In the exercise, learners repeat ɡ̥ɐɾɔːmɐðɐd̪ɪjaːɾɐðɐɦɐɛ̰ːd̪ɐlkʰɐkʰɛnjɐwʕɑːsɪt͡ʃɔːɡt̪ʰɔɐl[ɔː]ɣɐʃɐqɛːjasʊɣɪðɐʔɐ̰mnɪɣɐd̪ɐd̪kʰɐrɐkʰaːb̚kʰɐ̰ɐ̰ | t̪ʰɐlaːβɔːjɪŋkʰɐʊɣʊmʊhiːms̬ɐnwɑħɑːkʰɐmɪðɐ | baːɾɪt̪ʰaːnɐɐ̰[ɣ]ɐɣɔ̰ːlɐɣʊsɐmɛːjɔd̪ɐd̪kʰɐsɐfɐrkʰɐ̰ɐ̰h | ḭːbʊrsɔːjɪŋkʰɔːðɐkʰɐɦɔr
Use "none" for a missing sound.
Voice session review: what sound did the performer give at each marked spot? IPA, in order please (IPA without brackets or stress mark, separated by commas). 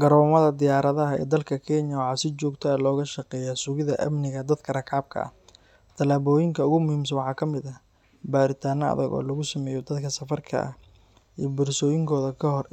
ɔː, ð